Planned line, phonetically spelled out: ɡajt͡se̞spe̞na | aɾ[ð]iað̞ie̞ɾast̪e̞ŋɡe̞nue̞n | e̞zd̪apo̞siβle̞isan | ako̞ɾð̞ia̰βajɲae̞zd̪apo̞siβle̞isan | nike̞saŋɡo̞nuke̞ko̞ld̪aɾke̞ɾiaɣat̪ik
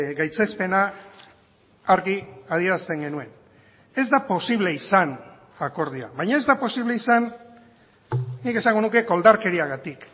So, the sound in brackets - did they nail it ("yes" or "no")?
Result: no